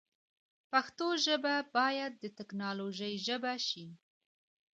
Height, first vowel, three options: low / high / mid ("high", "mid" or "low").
low